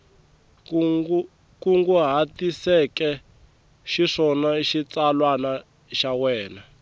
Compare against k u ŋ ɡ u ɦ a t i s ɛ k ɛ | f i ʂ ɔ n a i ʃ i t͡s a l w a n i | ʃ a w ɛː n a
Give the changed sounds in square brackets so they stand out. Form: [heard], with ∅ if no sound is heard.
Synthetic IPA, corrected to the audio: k u ŋ ɡ u ɦ a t i s ɛ k ɛ | [ʃ] i ʂ ɔ n a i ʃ i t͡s a l w a n [a] | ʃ a w ɛː n a